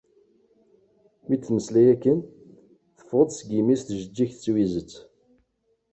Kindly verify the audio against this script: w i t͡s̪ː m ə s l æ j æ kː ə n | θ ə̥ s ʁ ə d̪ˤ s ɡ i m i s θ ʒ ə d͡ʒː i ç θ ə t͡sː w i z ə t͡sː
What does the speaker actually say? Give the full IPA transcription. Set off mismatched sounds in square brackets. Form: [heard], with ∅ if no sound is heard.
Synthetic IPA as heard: w i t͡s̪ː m ə s l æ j æ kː ə n | θ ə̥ [f] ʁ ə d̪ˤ s ɡ i m i s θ ʒ ə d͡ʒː i ç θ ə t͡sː w i z ə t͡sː